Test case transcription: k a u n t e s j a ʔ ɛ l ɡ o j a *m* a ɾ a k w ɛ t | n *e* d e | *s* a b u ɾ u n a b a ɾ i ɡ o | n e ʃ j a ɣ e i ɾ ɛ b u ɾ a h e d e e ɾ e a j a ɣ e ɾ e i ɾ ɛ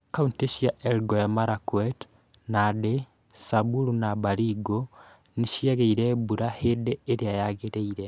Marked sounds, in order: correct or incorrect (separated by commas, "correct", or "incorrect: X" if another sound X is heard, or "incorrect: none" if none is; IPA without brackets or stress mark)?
correct, incorrect: a, correct